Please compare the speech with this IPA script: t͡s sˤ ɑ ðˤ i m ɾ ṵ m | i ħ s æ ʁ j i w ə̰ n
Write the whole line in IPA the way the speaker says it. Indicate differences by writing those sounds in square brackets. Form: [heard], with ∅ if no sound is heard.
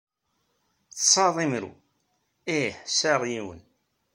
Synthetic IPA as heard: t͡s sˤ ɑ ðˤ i m ɾ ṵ [∅] | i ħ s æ ʁ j i w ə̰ n